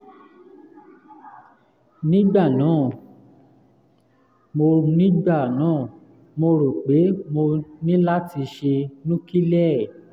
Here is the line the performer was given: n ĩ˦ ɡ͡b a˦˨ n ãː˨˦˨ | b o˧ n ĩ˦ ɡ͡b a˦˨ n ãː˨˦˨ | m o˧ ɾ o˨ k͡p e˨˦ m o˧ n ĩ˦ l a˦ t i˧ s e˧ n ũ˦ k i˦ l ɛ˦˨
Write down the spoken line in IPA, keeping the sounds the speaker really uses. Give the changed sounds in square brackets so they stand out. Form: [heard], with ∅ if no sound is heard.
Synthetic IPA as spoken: n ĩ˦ ɡ͡b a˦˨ n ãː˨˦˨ | [m] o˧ n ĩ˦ ɡ͡b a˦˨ n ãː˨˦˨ | m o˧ ɾ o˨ k͡p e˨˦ m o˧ n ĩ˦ l a˦ t i˧ [ʃ] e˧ n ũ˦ k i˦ l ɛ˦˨

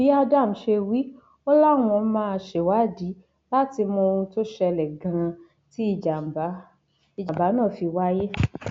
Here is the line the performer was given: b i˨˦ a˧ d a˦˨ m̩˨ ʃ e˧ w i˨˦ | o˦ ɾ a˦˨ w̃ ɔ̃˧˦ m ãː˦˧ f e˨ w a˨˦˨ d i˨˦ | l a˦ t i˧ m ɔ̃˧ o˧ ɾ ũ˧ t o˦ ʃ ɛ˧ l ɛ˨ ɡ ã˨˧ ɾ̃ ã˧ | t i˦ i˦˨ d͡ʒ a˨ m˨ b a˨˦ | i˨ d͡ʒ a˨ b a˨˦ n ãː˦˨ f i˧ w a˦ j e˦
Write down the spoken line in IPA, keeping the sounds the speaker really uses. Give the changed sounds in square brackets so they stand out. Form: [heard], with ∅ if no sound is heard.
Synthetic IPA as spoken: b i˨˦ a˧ d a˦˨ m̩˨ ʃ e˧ w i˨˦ | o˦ [l] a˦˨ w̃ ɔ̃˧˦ m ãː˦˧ [ʃ] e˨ w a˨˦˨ d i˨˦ | l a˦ t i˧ m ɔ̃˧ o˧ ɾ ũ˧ t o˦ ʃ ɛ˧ l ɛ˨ ɡ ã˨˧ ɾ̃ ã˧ | t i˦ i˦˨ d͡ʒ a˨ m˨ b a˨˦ | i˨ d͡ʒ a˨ b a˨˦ n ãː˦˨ f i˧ w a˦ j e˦

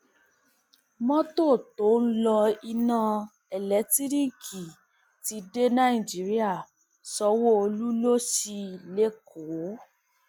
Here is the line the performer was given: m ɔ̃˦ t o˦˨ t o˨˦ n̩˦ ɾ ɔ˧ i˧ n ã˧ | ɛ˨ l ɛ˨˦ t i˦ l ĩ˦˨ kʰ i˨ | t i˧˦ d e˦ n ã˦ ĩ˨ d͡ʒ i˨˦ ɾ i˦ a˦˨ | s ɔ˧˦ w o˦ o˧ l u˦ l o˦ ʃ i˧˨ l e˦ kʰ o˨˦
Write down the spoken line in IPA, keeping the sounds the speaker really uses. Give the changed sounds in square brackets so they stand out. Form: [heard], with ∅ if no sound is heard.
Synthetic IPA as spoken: m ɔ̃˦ t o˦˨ t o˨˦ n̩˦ [l] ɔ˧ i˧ n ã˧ | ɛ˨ l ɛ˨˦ t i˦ [ɾ] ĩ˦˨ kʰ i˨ | t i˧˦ d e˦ n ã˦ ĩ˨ d͡ʒ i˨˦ ɾ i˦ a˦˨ | s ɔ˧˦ w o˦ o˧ l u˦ l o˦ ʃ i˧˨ l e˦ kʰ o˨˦

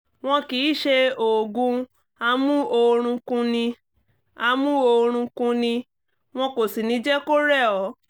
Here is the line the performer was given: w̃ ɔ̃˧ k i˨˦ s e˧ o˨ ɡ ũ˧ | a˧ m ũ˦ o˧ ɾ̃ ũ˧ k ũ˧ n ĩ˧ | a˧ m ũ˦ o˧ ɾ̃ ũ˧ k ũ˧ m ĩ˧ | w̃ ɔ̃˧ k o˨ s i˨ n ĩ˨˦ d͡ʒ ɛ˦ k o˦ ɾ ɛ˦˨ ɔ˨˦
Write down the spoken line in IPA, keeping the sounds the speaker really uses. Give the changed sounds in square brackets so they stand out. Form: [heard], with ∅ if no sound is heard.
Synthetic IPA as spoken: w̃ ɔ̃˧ k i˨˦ [ʃ] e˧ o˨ ɡ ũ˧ | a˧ m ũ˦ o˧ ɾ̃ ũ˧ k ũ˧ n ĩ˧ | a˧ m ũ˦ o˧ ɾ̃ ũ˧ k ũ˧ [n] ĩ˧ | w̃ ɔ̃˧ k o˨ s i˨ n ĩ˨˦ d͡ʒ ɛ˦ k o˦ ɾ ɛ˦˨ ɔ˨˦

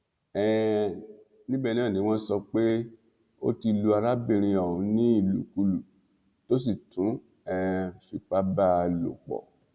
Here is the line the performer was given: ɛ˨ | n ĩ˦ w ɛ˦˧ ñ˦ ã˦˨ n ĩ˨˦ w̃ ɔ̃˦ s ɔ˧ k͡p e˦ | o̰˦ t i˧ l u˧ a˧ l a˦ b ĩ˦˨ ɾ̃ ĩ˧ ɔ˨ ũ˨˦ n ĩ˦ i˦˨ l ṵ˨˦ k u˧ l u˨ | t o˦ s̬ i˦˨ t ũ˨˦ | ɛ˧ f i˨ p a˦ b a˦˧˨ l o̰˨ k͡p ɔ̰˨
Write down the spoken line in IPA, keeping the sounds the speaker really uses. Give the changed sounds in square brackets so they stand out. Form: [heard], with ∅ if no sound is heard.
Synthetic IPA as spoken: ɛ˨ | n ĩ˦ [b] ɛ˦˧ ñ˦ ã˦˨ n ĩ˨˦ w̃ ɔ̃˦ s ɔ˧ k͡p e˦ | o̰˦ t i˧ l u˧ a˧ [ɾ] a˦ b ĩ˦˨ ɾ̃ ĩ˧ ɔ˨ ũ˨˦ n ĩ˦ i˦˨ l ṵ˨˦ k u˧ l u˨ | t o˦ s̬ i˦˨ t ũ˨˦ | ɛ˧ f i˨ [k͡p] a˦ b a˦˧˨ l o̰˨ k͡p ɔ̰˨

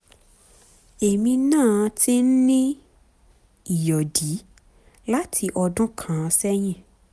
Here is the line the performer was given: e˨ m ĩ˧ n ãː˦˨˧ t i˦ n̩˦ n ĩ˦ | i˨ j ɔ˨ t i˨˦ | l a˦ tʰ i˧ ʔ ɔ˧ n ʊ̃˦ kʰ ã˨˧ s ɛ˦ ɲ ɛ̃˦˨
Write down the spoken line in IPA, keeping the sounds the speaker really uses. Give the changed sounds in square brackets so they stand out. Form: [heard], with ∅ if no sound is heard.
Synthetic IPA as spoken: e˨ m ĩ˧ n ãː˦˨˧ t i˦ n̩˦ n ĩ˦ | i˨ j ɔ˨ [d] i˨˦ | l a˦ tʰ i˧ ʔ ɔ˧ [d] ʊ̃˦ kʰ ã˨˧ s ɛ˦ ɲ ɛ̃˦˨

